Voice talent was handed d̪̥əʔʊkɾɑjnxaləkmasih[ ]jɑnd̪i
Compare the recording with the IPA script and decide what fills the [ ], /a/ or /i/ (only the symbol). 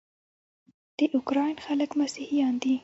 i